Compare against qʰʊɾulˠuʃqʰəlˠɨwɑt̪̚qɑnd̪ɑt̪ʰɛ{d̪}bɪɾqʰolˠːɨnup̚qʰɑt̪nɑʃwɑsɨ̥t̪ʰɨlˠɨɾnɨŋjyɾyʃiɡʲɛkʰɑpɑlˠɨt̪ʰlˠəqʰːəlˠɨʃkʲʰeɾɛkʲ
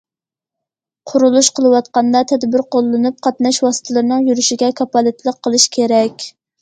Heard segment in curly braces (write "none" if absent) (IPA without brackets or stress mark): d̪